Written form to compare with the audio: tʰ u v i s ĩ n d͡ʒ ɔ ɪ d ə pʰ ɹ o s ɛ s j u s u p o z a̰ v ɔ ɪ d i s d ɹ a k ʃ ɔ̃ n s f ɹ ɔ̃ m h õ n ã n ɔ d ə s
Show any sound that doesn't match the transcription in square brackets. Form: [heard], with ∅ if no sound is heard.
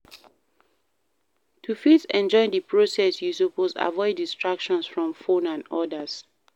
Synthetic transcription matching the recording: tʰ u [f] i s [ɛ̃] n d͡ʒ ɔ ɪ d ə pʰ ɹ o s ɛ s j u s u p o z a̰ v ɔ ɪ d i s [t] ɹ a k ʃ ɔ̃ n s f ɹ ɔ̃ m [f] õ n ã n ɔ d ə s